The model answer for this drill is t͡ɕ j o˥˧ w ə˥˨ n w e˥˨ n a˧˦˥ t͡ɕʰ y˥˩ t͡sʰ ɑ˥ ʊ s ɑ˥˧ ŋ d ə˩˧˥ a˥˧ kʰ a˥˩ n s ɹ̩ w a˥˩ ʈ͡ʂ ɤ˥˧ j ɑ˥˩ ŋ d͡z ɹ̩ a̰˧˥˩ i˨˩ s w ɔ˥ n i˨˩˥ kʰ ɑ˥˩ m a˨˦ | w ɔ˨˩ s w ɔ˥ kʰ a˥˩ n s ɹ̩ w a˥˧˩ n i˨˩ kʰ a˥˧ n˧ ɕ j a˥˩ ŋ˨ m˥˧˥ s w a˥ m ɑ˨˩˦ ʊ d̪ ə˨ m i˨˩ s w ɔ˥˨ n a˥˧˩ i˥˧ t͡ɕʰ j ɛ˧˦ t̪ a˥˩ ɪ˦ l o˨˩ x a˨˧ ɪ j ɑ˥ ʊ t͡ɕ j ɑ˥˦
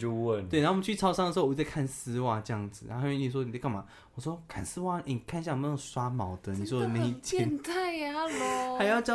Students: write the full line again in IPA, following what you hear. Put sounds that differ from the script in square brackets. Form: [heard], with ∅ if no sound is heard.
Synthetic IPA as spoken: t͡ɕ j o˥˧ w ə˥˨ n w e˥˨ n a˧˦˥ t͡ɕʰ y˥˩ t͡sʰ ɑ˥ ʊ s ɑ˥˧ ŋ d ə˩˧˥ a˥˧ kʰ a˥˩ n s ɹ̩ w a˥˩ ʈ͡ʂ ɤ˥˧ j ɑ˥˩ ŋ d͡z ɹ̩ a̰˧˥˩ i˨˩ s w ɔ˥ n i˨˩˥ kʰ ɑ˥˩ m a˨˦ | w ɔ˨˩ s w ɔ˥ kʰ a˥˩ n s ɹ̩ w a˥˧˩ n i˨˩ kʰ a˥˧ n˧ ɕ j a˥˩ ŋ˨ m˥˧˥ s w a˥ m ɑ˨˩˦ ʊ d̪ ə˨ [n] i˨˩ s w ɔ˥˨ n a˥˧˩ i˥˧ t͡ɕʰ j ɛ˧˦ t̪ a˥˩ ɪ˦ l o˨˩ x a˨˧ ɪ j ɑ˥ ʊ t͡ɕ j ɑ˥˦